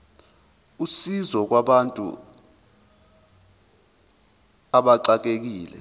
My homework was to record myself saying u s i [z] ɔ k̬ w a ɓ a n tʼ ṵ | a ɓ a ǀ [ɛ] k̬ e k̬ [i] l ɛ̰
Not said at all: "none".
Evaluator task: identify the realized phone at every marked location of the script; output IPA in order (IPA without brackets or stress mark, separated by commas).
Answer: z, a, iː